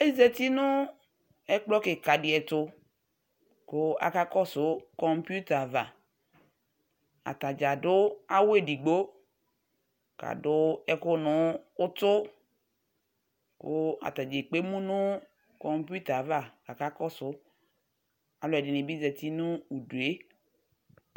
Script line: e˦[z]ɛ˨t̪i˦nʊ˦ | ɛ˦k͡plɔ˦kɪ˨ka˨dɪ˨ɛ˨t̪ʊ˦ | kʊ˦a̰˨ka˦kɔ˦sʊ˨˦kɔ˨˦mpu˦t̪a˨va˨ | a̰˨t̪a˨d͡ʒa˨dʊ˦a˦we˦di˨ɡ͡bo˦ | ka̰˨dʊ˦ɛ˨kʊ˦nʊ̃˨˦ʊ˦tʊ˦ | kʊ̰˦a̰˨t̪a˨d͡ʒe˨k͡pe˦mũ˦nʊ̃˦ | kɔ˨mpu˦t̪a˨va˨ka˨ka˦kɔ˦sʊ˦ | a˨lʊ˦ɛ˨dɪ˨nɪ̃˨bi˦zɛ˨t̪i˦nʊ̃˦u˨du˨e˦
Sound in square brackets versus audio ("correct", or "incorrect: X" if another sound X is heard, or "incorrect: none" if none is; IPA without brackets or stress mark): correct